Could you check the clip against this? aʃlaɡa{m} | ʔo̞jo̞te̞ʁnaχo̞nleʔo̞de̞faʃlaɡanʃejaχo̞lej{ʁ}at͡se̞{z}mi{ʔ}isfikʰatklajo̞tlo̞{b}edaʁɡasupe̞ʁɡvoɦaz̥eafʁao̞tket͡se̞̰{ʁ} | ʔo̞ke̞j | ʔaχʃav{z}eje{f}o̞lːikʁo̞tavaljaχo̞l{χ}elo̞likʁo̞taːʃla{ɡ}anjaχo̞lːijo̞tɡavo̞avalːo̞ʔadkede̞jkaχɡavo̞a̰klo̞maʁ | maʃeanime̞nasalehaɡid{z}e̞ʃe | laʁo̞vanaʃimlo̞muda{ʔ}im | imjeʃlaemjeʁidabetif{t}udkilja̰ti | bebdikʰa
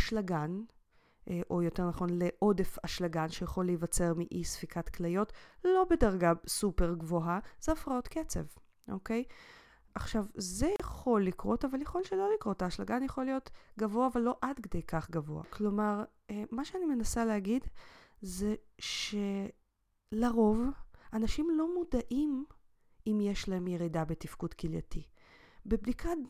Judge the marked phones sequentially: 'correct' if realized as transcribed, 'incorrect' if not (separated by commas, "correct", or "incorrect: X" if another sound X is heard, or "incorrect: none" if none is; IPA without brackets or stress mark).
incorrect: n, incorrect: v, incorrect: ʁ, correct, correct, incorrect: v, correct, incorrect: χ, incorrect: ʃ, correct, correct, correct, incorrect: k